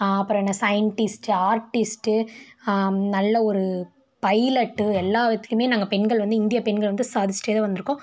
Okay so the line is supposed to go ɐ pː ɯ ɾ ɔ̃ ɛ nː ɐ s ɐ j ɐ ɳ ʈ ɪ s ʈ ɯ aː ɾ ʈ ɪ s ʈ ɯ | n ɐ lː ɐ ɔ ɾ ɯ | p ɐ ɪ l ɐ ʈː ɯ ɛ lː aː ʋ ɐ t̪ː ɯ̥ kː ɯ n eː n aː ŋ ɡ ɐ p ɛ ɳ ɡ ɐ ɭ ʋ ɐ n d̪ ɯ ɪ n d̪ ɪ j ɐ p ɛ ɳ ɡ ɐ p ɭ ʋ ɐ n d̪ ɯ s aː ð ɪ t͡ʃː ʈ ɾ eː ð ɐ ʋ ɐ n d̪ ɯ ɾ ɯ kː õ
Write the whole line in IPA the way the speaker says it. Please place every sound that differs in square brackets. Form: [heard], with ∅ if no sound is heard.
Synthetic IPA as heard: ɐ pː ɯ ɾ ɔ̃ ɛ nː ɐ s ɐ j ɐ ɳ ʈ ɪ s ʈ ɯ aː ɾ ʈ ɪ s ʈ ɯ | n ɐ lː ɐ ɔ ɾ ɯ | p ɐ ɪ l ɐ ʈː ɯ ɛ lː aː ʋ ɐ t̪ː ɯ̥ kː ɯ [m] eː n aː ŋ ɡ ɐ p ɛ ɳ ɡ ɐ ɭ ʋ ɐ n d̪ ɯ ɪ n d̪ ɪ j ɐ p ɛ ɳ ɡ ɐ [∅] ɭ ʋ ɐ n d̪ ɯ s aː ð ɪ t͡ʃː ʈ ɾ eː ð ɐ ʋ ɐ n d̪ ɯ ɾ ɯ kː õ